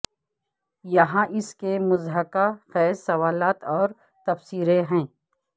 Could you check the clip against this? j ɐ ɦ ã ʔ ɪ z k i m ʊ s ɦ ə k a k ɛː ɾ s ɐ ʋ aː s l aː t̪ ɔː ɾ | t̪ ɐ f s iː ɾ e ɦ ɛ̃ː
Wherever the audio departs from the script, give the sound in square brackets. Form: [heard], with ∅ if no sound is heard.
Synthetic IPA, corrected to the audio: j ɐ ɦ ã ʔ ɪ [s] k [e] m ʊ [z] ɦ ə k a [x] ɛː ɾ s ɐ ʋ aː [∅] l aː t̪ ɔː ɾ | t̪ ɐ f s iː ɾ e ɦ ɛ̃ː